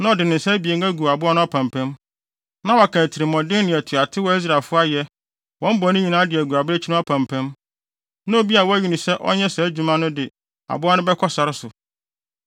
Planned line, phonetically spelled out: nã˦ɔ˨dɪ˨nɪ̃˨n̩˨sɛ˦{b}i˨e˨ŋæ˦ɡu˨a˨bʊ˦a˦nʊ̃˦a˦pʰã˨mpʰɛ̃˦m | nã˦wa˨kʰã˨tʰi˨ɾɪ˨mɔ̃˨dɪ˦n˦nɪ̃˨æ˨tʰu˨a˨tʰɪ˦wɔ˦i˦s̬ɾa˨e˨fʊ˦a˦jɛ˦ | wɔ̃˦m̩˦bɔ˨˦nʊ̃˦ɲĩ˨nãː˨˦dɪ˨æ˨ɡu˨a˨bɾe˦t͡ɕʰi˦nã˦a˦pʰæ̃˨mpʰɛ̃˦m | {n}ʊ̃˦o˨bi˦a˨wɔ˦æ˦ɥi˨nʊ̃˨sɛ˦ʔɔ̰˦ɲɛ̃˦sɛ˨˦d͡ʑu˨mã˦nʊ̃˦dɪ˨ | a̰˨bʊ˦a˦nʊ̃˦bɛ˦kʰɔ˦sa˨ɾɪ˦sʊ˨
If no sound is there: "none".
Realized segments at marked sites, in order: b, n

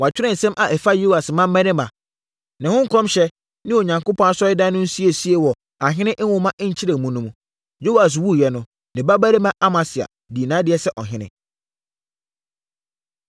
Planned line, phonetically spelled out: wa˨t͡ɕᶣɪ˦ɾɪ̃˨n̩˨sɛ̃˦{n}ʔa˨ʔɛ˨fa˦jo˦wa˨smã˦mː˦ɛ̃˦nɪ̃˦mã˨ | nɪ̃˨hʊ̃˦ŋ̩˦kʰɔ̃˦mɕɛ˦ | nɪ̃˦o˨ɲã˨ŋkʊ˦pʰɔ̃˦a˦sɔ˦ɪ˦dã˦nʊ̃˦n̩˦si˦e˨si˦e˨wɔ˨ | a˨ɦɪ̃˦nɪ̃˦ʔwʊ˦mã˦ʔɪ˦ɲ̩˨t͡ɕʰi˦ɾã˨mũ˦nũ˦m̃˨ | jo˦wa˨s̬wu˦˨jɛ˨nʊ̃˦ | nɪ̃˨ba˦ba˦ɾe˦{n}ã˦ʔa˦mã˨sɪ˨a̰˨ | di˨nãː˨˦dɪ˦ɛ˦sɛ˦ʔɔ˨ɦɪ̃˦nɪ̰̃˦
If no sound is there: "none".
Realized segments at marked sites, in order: m, m

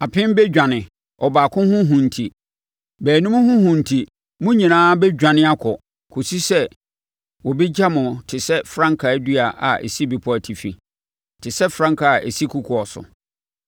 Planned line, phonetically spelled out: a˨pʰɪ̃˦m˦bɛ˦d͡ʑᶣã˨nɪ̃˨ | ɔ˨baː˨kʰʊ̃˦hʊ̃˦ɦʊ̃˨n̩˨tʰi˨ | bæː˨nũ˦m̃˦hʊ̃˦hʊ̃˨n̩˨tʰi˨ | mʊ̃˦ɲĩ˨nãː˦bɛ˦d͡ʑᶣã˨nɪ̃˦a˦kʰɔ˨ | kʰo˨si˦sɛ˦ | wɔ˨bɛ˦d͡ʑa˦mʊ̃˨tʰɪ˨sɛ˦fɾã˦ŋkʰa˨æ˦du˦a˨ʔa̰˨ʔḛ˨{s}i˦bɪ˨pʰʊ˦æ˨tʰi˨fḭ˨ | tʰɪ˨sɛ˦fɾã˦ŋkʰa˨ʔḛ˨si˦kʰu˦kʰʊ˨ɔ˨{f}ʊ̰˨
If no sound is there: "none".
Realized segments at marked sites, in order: s, s

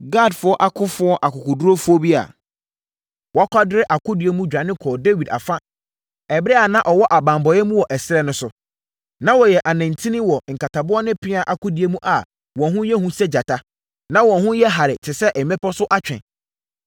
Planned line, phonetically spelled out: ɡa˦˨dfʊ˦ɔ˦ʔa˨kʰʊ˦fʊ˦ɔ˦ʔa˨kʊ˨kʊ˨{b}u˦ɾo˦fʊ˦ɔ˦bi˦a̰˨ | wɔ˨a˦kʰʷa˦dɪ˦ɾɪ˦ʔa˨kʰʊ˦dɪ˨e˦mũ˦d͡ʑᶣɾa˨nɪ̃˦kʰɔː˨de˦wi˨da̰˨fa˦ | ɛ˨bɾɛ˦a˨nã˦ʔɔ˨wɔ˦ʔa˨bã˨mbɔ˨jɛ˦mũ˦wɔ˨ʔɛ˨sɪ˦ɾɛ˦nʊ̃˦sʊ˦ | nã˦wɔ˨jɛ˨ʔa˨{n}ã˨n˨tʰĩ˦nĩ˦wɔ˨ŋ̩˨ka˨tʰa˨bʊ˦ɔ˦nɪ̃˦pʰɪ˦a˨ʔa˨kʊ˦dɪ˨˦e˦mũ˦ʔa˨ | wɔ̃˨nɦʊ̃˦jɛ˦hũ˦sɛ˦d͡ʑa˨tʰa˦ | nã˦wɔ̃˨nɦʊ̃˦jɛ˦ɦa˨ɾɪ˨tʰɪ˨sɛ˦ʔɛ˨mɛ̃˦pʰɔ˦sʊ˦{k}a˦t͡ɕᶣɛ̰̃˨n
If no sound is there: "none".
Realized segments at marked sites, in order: d, n, ʔ

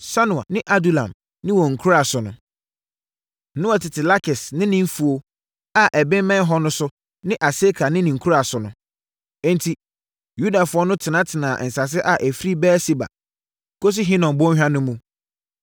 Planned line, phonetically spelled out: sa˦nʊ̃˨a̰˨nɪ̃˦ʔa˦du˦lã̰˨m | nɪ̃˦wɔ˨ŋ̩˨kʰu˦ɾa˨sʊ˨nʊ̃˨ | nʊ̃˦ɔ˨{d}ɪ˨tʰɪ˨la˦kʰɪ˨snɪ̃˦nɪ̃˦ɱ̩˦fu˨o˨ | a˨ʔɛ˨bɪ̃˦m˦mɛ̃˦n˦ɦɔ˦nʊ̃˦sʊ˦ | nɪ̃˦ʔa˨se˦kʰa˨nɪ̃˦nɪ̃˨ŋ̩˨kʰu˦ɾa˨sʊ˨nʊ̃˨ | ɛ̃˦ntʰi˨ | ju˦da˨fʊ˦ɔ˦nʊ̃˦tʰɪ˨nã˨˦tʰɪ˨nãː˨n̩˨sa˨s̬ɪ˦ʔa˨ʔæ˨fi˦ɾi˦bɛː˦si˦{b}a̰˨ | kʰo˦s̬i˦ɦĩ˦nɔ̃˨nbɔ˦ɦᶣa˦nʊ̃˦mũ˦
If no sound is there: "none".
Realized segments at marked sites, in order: t, b

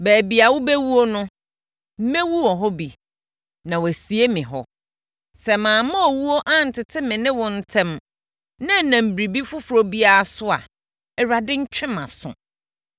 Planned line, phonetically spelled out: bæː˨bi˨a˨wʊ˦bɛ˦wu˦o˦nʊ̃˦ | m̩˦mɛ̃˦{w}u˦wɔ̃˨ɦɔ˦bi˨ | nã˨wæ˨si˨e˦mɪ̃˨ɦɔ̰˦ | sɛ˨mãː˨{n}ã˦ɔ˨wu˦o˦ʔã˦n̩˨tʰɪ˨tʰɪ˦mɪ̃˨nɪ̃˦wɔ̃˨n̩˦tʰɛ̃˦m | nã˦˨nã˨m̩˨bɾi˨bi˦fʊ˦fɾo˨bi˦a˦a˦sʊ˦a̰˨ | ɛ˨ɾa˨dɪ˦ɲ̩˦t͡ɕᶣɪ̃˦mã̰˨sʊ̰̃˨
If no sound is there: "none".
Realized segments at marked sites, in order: w, m

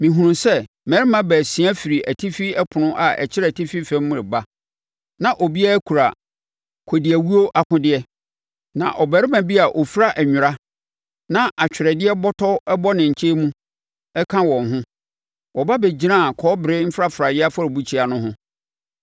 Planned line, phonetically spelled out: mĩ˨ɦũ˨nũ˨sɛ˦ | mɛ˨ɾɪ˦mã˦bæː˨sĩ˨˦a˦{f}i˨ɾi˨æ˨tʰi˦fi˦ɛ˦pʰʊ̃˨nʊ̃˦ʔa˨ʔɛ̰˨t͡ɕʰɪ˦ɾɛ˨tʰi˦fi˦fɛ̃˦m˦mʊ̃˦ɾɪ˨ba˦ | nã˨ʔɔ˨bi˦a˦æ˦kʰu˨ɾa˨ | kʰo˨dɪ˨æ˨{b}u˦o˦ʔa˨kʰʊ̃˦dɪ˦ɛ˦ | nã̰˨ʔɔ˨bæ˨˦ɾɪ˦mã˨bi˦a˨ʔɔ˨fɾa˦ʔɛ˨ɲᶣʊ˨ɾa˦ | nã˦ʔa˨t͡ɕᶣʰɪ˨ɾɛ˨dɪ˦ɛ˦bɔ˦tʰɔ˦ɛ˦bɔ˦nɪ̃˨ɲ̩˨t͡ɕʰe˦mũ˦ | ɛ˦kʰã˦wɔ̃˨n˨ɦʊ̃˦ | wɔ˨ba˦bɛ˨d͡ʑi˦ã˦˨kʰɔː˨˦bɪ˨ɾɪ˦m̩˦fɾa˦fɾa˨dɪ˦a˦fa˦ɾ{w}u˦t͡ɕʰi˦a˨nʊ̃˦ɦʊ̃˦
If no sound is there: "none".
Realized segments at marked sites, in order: f, w, b

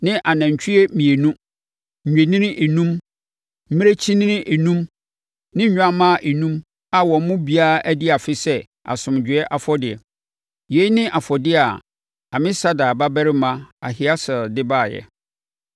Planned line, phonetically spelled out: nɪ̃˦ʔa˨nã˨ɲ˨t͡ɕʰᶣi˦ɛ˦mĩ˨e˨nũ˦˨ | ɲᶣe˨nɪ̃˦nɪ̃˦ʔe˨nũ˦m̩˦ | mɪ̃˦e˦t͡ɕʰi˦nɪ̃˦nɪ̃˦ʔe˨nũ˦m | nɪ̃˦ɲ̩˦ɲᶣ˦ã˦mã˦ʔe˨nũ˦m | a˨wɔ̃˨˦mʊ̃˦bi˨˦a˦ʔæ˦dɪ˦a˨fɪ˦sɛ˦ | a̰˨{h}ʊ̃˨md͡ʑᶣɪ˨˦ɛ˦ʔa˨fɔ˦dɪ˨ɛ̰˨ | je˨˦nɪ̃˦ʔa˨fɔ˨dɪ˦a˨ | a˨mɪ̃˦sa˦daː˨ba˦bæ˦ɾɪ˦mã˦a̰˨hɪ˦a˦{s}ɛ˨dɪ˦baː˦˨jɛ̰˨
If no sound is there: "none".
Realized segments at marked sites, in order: s, s

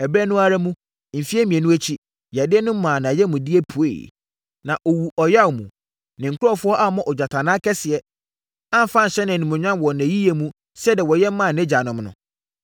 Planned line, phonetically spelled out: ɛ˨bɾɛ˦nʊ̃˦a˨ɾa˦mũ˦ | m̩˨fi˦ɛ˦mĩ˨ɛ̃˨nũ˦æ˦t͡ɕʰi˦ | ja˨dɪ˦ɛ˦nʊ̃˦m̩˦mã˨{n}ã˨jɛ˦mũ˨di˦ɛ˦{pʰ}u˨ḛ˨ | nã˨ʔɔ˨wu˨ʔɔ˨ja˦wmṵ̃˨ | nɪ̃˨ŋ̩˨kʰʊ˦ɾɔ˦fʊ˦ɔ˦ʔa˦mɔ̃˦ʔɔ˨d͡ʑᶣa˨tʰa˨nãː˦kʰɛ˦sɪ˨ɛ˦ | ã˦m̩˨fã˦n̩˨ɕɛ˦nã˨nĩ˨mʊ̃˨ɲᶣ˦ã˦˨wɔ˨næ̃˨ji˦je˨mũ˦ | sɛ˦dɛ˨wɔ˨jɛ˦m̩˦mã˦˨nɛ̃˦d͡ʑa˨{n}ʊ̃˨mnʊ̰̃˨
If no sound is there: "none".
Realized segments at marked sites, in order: n, pʰ, n

